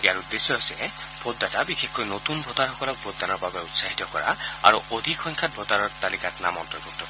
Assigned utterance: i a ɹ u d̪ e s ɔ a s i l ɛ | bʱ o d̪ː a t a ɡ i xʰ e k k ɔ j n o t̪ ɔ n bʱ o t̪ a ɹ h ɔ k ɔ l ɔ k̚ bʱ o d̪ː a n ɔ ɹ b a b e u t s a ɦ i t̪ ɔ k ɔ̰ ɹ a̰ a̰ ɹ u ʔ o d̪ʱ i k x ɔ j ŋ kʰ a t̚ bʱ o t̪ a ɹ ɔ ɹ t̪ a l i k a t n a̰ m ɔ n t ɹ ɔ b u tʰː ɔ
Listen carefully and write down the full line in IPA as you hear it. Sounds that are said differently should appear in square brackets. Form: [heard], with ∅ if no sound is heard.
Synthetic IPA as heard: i a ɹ u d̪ e s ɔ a s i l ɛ | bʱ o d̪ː a t a [b] i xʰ e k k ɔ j n o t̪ [u] n bʱ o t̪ a ɹ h ɔ k ɔ l ɔ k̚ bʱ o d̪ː a n ɔ ɹ b a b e u t s a ɦ i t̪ ɔ k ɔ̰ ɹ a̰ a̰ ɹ u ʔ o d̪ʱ i k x ɔ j ŋ kʰ a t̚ bʱ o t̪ a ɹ ɔ ɹ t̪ a l i k a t n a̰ m ɔ n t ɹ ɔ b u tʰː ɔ